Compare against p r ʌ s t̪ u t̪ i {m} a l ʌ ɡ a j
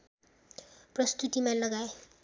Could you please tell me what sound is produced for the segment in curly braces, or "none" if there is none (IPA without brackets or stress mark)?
m